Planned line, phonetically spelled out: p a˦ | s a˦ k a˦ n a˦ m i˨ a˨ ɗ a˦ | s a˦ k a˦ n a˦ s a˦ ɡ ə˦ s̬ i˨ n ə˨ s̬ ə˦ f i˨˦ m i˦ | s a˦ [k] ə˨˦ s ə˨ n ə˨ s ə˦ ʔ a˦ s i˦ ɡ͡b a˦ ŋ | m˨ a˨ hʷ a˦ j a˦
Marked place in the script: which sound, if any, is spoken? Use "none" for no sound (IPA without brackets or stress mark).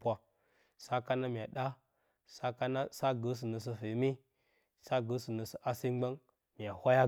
ɡ